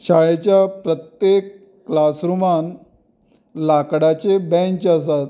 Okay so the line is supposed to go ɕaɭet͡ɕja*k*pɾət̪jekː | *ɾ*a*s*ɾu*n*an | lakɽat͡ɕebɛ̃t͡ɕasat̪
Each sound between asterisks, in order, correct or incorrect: incorrect, incorrect, correct, incorrect

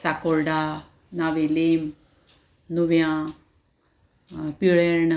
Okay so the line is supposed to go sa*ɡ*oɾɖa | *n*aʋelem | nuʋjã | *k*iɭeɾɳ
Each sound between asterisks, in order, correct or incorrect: incorrect, correct, incorrect

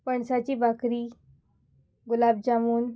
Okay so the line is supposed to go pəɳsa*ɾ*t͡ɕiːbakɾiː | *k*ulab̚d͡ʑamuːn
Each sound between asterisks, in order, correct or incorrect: incorrect, incorrect

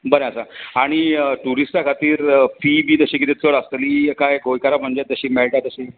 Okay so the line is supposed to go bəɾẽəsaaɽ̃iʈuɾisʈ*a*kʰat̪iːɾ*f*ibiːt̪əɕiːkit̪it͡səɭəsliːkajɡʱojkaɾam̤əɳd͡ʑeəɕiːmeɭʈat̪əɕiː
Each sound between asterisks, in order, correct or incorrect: correct, correct

